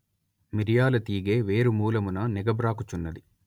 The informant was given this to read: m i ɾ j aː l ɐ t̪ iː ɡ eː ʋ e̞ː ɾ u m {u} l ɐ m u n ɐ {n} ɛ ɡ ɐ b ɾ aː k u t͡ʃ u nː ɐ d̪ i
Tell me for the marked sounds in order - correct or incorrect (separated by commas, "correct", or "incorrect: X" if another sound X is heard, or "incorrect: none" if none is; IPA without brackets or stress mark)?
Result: incorrect: uː, correct